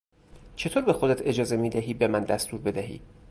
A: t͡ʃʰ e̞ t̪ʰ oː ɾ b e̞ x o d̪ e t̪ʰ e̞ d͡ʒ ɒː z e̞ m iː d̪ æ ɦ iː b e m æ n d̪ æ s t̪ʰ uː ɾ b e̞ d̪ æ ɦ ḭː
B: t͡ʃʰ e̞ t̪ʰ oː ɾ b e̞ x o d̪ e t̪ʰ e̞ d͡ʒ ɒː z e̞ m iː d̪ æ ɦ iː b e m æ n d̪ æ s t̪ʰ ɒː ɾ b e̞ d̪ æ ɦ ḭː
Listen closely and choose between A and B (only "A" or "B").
A